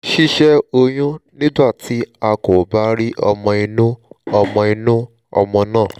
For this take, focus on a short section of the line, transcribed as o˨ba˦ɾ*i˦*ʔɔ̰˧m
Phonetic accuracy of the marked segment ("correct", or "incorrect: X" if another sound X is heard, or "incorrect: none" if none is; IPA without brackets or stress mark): correct